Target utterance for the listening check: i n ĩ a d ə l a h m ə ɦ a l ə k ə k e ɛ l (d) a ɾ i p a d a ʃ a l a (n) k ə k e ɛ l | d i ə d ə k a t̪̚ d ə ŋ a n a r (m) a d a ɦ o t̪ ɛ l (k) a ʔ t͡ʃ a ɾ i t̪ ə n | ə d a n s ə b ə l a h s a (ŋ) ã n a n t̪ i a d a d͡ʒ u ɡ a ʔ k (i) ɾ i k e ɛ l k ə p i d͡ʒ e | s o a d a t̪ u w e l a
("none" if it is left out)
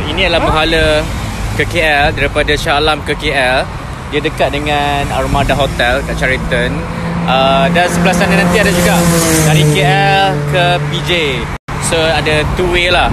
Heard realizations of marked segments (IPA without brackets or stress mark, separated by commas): d, m, m, k, n, a